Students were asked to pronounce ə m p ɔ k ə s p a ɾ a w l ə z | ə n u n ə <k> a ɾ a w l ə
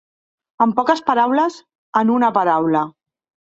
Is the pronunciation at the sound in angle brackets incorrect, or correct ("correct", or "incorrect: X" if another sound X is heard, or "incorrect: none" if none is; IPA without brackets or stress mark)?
incorrect: p